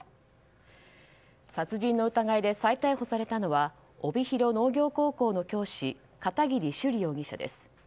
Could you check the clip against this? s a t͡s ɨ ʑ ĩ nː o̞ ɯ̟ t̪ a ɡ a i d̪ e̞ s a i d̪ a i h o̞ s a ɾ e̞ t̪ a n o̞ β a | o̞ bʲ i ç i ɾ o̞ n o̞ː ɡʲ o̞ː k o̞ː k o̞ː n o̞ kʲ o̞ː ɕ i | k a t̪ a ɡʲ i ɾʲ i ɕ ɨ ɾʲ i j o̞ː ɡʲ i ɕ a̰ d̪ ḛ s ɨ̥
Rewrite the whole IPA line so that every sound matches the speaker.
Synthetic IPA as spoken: s a t͡s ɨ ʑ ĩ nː o̞ ɯ̟ t̪ a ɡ a i d̪ e̞ s a i t̪ a i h o̞ s a ɾ e̞ t̪ a n o̞ β a | o̞ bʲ i ç i ɾ o̞ n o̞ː ɡʲ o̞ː k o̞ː k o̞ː n o̞ kʲ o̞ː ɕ i | k a t̪ a ɡʲ i ɾʲ i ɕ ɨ ɾʲ i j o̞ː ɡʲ i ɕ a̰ d̪ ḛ s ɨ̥

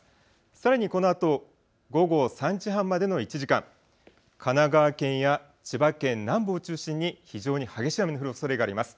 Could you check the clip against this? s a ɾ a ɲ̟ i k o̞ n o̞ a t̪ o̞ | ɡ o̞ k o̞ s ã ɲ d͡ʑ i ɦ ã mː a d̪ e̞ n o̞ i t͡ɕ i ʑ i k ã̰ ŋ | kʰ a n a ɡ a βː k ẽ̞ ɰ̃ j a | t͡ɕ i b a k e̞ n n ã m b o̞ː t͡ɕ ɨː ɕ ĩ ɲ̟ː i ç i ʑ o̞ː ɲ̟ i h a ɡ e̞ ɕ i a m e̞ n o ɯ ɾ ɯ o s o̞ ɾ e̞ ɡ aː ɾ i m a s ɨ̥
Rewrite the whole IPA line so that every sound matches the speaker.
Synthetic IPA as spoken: s a ɾ a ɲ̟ i k o̞ n o̞ a t̪ o̞ | ɡ o̞ ɡ o̞ s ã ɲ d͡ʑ i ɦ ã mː a d̪ e̞ n o̞ i t͡ɕ i ʑ i k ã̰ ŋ | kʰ a n a ɡ a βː k ẽ̞ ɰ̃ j a | t͡ɕ i b a k ẽ̞ n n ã m b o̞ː t͡ɕ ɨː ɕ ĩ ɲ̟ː i ç i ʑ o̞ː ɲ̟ i h a ɡ e̞ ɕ i a m e̞ n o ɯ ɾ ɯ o s o̞ ɾ e̞ ɡ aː ɾ i m a s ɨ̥

